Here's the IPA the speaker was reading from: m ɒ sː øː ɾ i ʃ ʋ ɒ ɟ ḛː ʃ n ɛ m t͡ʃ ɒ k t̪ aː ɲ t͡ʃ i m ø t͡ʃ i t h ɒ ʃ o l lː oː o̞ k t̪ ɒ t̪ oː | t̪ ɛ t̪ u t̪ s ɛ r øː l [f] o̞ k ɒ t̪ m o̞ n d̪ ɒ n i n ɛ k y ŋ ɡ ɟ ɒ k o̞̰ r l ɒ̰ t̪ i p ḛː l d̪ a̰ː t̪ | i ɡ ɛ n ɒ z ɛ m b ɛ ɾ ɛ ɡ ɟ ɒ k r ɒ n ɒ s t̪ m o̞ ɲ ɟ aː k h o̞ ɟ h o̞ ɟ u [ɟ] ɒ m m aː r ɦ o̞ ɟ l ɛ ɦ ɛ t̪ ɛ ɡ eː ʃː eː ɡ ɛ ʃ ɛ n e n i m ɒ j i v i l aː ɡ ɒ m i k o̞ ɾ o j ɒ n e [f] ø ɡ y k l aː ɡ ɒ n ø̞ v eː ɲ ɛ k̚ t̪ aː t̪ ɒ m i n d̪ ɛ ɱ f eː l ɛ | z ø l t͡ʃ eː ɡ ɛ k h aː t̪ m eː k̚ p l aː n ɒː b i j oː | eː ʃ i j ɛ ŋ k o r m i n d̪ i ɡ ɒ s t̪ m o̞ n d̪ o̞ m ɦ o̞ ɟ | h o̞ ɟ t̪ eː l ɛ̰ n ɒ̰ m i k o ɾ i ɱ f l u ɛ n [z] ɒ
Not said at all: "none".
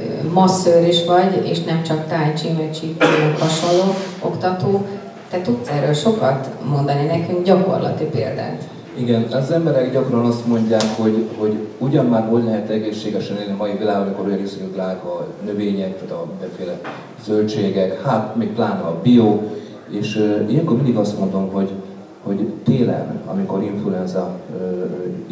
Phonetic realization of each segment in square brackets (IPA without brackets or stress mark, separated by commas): ʃ, ɟ, s, z